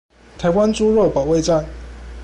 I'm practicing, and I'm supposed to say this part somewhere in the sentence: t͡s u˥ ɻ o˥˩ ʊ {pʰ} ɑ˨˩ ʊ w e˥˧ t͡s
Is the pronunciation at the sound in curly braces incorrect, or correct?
incorrect